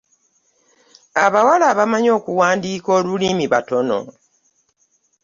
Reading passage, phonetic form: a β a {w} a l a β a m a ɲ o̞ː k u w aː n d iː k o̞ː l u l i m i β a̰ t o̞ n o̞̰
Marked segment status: correct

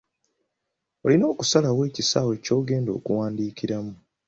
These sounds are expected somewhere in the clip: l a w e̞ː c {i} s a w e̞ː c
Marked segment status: correct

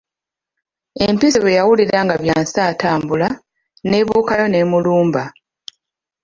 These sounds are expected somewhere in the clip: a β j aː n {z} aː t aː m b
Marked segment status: incorrect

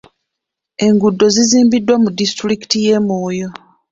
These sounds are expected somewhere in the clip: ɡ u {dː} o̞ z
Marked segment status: correct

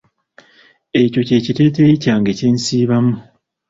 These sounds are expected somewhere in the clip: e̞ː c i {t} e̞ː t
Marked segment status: correct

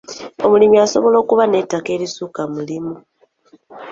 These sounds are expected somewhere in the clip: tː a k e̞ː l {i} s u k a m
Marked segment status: correct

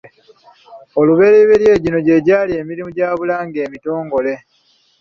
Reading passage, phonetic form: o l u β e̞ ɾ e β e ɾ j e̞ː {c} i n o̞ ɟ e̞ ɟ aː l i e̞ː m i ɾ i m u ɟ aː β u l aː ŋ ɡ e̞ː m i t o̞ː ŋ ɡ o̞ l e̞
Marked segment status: incorrect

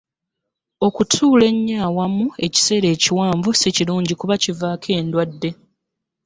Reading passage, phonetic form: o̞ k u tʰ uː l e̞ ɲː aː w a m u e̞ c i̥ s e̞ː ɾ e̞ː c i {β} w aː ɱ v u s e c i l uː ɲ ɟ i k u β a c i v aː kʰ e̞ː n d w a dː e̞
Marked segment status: incorrect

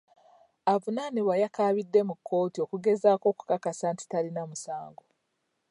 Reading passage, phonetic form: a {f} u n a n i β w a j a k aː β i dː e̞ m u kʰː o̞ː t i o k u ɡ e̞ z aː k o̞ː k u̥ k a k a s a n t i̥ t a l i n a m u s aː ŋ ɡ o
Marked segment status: incorrect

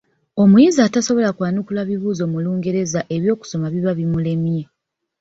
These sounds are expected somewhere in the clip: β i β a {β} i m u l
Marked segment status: correct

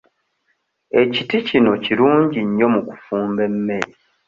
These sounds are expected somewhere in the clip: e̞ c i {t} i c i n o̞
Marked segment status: correct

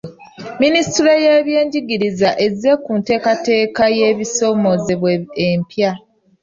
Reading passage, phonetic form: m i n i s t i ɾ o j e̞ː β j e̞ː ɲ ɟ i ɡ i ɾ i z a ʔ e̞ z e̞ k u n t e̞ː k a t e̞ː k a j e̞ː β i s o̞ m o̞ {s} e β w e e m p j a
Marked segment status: incorrect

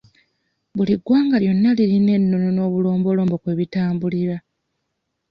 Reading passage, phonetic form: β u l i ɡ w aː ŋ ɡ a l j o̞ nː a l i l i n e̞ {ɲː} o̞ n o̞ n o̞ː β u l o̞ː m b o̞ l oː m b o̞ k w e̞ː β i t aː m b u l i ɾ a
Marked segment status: incorrect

